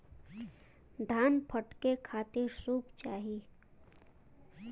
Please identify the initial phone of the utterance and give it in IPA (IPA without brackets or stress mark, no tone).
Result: d̪ʱ